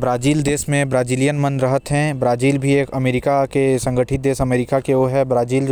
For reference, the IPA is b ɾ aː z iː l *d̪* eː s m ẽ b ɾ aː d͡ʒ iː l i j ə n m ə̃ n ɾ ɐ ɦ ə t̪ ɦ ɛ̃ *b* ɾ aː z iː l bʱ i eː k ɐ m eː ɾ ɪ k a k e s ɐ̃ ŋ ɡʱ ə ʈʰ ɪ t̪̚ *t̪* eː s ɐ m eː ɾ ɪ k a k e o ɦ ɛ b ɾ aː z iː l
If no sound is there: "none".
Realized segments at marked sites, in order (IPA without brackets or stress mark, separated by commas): d̪, b, d̪